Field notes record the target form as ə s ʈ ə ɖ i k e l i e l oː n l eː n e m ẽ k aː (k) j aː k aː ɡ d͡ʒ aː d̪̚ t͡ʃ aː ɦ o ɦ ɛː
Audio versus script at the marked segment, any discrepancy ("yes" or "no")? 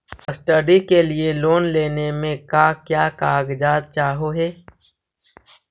no